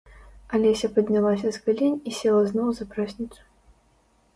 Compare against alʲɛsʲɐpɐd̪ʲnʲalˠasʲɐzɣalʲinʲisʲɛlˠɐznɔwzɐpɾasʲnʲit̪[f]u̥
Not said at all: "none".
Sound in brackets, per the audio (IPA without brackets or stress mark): s